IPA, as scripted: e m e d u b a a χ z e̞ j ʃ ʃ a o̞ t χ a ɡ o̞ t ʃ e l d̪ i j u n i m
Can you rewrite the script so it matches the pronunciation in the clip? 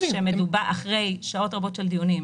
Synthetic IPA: e m e d u b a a χ ʁ e̞ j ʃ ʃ a o̞ t ʁ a b o̞ t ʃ e l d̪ i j u n i m